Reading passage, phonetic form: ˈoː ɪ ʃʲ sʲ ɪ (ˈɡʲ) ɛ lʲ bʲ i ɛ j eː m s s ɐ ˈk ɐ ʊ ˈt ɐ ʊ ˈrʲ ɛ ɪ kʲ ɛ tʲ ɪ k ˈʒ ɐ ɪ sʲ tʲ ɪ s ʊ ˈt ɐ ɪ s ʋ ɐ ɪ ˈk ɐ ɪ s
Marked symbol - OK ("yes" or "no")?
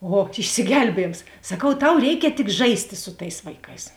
yes